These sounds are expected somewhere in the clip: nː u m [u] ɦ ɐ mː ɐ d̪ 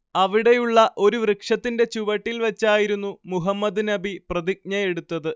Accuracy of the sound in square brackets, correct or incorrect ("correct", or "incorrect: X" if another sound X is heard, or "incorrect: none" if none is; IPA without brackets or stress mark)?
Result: correct